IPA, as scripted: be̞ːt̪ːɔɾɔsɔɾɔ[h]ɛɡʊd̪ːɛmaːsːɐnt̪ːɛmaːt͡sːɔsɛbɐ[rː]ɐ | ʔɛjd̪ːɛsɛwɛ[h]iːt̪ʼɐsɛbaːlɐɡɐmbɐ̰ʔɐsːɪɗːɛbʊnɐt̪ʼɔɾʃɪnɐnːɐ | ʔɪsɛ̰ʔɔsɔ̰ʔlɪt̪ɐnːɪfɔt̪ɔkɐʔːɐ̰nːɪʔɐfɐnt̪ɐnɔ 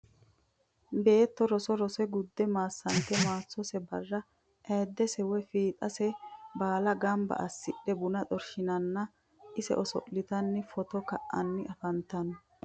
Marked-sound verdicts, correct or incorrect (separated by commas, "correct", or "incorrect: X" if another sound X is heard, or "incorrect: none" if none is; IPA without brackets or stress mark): incorrect: s, correct, incorrect: f